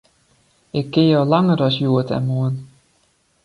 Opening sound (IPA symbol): ɪ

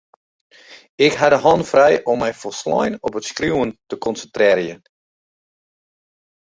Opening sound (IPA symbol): ɪ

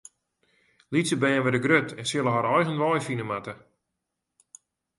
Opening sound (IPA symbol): l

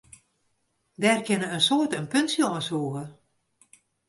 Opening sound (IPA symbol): d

